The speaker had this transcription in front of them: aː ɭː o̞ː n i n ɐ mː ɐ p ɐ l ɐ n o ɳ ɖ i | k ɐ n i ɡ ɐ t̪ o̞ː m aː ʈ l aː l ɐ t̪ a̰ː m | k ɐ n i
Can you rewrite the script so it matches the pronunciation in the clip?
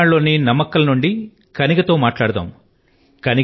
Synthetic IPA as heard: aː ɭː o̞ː n i n ɐ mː ɐ k ɐ l ɐ n u ɳ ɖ i | k ɐ n i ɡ ɐ t̪ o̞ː m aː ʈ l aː ɽ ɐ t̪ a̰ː m | k ɐ n i